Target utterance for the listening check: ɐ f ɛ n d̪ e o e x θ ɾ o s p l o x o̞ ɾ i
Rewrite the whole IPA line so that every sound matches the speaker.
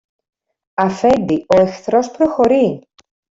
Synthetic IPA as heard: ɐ f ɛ n d̪ i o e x θ ɾ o s p ɾ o x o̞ ɾ i